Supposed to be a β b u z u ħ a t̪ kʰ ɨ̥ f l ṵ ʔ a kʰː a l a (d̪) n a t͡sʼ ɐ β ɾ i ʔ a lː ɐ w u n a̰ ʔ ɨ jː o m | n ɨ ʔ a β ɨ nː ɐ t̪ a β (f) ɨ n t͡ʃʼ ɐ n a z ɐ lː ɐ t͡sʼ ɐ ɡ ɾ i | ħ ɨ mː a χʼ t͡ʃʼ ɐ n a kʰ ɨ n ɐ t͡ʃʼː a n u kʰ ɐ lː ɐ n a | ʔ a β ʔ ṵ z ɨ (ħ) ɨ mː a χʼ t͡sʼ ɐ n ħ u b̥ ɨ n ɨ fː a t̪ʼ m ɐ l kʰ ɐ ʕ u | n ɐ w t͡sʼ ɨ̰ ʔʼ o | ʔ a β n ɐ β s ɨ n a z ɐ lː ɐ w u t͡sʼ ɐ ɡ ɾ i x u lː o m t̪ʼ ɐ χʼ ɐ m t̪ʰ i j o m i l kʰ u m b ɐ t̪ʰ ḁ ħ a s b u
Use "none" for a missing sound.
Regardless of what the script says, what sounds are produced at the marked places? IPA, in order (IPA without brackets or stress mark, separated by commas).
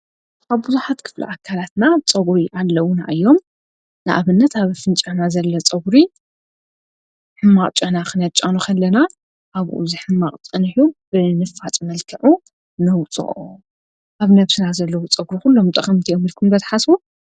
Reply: t̪, f, ħ